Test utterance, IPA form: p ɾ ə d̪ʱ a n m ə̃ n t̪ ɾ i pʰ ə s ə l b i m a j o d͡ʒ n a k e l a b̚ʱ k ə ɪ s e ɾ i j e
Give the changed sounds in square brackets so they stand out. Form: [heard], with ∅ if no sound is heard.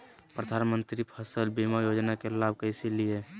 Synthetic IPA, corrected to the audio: p ɾ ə d̪ʱ a n m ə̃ n t̪ ɾ i pʰ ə s ə l b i m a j o d͡ʒ n a k e l a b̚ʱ k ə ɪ s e [l] i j e